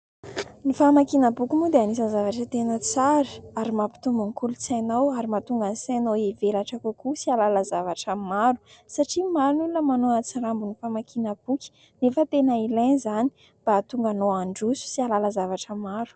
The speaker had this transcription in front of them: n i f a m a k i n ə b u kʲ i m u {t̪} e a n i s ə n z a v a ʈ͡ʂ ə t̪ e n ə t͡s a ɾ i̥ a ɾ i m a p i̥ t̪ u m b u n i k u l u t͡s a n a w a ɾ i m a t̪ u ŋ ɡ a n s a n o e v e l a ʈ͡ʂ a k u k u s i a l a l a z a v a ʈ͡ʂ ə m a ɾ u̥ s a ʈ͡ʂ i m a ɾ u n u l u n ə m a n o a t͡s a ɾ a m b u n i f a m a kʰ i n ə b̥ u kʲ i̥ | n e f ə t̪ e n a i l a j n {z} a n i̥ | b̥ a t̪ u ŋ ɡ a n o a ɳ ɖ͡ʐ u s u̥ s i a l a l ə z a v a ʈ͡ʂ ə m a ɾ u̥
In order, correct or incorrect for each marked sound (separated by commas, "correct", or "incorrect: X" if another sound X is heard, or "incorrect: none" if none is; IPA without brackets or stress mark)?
incorrect: d̪, correct